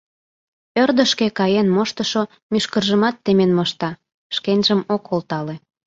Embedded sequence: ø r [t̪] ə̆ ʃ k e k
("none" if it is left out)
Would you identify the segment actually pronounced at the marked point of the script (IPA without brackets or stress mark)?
d̪